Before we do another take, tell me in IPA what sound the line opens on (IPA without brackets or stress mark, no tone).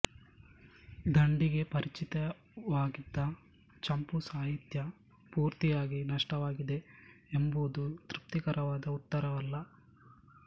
d̪